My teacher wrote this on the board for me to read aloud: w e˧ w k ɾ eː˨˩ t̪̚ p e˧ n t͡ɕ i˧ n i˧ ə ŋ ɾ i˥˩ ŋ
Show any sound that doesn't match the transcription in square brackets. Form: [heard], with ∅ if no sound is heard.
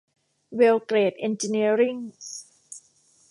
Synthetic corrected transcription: w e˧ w k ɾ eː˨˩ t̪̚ [ʔ] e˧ n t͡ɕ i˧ n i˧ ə [∅] ɾ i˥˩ ŋ